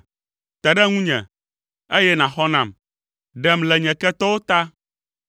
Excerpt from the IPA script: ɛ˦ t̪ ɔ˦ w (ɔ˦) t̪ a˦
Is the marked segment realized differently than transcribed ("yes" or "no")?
yes